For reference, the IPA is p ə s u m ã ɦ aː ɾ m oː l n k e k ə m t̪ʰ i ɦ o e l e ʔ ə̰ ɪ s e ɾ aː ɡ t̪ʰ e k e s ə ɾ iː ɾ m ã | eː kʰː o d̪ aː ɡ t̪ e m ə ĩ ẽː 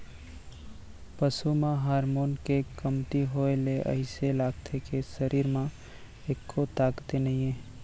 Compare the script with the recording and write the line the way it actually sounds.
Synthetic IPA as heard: p ə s u m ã ɦ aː ɾ m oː n k e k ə m t̪ i ɦ o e l e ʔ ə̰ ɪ s e l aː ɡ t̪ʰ e k e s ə ɾ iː ɾ m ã | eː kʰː o t̪ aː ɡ t̪ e n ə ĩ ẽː